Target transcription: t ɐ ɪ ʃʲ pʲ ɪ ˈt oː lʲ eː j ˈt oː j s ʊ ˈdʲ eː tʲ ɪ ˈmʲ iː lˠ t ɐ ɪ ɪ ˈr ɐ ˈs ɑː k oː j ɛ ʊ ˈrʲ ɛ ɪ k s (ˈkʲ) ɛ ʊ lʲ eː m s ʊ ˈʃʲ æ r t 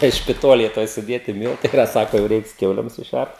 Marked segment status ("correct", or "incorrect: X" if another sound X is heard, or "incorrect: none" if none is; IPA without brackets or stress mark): correct